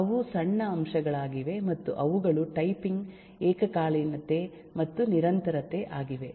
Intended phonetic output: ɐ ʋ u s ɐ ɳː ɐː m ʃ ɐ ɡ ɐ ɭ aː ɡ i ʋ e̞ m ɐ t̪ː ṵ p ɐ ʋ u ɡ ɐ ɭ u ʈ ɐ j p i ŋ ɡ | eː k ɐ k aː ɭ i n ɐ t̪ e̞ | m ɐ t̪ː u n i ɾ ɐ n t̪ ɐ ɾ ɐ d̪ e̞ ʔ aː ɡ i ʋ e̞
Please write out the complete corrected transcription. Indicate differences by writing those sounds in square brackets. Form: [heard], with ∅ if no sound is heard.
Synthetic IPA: ɐ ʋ u s ɐ ɳː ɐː m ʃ ɐ ɡ ɐ ɭ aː ɡ i ʋ e̞ m ɐ t̪ː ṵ [ʔ] ɐ ʋ u ɡ ɐ ɭ u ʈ ɐ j p i ŋ ɡ | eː k ɐ k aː ɭ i n ɐ t̪ e̞ | m ɐ t̪ː u n i ɾ ɐ n t̪ ɐ ɾ ɐ [t̪] e̞ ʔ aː ɡ i ʋ e̞